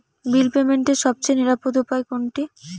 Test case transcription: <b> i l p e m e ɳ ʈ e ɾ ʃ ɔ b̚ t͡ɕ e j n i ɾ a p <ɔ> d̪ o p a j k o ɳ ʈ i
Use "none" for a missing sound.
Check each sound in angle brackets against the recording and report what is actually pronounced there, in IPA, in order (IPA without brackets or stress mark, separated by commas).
b, o